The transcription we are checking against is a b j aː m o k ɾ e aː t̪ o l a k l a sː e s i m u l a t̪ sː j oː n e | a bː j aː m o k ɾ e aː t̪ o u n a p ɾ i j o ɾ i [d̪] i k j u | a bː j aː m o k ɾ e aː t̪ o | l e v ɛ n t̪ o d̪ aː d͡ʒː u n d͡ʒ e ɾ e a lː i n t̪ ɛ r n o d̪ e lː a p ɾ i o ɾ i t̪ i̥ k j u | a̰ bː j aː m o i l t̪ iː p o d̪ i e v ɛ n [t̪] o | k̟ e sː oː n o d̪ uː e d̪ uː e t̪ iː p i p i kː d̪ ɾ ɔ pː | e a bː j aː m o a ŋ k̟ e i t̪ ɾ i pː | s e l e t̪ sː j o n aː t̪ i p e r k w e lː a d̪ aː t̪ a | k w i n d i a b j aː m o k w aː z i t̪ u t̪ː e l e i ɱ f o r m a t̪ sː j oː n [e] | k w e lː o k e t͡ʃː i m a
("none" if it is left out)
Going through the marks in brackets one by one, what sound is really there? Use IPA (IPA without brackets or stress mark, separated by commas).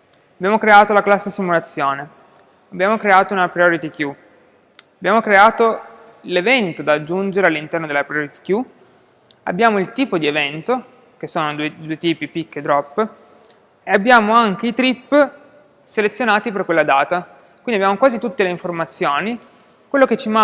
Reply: t̪, t̪, i